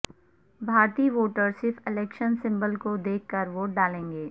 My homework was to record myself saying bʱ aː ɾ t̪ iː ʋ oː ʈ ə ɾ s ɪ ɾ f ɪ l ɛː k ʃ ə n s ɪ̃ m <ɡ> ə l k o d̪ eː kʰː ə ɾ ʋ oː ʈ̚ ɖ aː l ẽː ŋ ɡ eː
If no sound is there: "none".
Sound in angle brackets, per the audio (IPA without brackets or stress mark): b